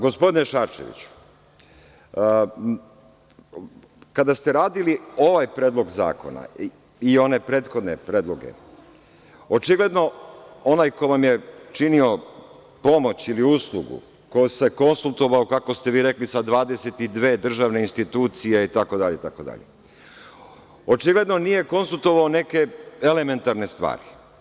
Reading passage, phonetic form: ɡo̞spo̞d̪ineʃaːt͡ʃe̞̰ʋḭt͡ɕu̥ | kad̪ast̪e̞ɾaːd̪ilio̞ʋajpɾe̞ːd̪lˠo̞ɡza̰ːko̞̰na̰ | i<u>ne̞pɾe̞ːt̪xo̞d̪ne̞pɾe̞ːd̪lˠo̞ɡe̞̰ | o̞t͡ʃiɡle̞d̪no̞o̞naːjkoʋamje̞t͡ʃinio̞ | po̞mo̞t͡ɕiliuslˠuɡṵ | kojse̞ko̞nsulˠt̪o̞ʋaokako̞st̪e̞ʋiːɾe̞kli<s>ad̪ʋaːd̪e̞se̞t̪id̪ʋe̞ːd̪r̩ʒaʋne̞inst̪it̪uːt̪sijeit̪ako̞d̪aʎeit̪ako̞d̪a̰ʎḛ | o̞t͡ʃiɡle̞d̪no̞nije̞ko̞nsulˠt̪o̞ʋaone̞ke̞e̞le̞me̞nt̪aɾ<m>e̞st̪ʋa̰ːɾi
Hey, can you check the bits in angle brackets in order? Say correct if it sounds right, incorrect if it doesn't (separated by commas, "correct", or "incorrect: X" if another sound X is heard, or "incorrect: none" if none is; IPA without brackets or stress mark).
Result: incorrect: o, correct, incorrect: n